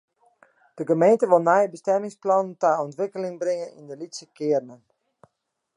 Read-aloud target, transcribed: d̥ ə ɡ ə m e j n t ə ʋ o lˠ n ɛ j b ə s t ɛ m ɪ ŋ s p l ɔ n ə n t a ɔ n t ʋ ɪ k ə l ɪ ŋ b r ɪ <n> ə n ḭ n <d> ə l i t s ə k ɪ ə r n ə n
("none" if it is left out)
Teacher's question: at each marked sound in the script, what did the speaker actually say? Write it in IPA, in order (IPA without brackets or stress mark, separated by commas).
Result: ŋ, d